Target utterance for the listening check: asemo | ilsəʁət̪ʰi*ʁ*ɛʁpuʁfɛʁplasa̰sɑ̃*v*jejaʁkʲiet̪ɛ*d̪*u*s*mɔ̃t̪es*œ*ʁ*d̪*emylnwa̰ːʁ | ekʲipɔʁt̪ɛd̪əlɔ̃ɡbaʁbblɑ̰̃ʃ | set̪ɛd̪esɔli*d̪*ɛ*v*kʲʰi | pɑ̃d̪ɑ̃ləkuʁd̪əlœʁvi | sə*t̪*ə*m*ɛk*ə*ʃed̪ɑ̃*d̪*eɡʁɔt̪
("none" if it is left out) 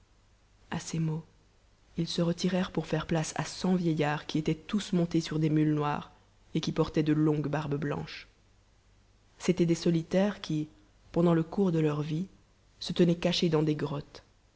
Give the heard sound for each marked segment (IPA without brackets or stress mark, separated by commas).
ʁ, v, t̪, s, y, d̪, t̪, ʁ, t̪, n, a, d̪